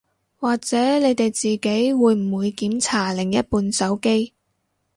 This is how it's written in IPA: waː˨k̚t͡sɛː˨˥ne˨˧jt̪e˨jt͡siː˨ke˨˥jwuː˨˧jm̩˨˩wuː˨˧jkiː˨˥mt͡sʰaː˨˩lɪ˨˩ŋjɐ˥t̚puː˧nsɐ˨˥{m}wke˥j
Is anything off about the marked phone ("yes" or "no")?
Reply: yes